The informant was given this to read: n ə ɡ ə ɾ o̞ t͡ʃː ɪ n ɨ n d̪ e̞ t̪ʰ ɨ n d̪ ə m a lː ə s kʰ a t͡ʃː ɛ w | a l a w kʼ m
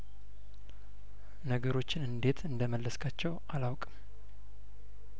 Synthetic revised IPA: n ə ɡ ə ɾ o̞ t͡ʃː ɪ n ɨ n d̪ e̞ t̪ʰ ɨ n d̪ ə m ə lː ə s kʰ a t͡ʃː ɛ w | a l a w kʼ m